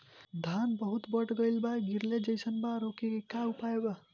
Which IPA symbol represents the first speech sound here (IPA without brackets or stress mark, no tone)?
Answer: d̪ʱ